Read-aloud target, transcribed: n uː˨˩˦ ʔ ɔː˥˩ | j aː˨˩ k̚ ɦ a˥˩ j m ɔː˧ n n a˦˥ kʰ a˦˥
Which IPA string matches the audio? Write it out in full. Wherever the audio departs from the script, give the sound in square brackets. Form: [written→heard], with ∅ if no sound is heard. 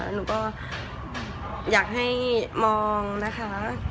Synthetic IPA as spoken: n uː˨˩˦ [ʔ→k] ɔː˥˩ | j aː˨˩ k̚ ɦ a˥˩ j m ɔː˧ [n→ŋ] n a˦˥ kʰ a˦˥